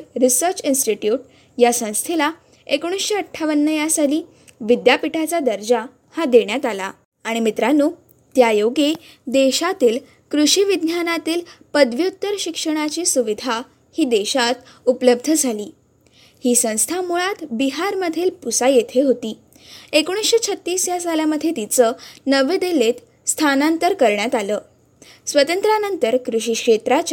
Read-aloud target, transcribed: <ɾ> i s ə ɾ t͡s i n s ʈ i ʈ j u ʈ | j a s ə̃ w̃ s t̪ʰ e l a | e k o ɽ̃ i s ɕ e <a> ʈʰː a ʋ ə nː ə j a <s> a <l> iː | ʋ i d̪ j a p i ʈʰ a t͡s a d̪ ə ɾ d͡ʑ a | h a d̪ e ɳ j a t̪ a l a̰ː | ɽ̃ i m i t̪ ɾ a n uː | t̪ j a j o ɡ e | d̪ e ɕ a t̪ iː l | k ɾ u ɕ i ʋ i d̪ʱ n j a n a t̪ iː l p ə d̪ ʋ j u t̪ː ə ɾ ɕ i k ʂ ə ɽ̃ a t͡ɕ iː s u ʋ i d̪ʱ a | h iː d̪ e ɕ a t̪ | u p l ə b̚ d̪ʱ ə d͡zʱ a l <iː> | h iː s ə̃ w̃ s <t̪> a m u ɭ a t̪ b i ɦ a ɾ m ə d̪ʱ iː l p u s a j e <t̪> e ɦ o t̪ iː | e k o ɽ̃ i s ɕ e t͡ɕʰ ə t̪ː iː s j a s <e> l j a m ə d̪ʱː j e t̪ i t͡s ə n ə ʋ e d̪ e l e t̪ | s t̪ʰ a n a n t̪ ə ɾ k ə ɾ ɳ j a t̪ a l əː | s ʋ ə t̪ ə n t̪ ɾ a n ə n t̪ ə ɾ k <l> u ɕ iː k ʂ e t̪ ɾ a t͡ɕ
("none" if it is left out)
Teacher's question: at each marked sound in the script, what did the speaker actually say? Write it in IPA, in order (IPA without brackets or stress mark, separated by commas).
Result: ɾ, ə, s, l, iː, t̪ʰ, t̪ʰ, a, ɾ